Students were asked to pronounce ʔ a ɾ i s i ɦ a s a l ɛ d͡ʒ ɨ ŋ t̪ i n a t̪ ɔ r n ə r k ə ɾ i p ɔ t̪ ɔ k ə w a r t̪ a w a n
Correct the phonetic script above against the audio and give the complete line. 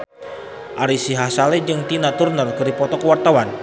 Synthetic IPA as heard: ʔ a ɾ i s i ɦ a s a l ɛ d͡ʒ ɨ ŋ t̪ i n a t̪ u r n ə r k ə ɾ i p ɔ t̪ ɔ k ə w a r t̪ a w a n